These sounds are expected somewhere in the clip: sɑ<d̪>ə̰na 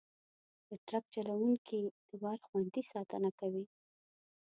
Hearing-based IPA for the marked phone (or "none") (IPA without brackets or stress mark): t̪